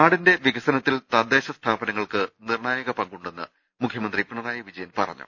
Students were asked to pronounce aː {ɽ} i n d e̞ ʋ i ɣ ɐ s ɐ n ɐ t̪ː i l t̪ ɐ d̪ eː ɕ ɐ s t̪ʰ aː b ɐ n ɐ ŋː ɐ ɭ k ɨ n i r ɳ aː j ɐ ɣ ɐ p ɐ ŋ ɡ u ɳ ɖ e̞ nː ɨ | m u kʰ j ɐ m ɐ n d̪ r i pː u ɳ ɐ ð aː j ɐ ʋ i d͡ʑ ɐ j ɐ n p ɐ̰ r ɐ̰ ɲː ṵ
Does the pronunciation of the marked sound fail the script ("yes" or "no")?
no